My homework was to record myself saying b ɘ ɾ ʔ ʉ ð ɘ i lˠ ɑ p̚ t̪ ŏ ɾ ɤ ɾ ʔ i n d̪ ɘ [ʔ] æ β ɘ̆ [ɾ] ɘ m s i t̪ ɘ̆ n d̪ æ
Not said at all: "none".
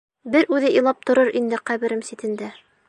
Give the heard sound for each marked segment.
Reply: q, ɾ

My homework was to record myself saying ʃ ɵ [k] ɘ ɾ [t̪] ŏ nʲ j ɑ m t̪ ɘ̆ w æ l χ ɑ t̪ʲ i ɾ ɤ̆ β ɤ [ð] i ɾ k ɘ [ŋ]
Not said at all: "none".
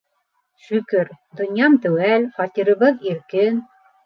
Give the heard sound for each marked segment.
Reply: k, d̪, ð, n

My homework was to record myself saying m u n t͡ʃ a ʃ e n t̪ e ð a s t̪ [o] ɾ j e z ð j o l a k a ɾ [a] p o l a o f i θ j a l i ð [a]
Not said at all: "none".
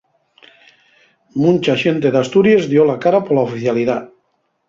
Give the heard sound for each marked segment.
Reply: u, a, a

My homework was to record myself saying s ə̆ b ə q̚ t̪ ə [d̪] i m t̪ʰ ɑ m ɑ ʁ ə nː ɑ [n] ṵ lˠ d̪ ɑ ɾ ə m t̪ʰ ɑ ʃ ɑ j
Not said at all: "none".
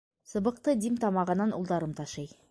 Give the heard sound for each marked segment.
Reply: d̪, n

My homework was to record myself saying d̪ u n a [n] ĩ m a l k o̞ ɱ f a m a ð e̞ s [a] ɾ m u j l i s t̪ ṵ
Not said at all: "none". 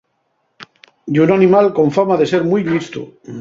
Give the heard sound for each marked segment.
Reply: n, e

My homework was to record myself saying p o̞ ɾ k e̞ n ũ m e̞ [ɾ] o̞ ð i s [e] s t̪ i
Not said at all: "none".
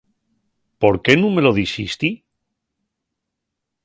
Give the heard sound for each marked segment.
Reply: l, i

